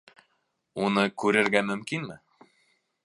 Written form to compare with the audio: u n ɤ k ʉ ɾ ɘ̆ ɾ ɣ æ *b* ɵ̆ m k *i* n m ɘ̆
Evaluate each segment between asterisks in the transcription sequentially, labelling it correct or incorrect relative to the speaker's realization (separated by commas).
incorrect, correct